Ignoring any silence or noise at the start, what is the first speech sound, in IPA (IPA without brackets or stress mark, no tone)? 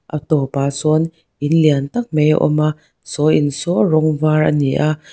ʔ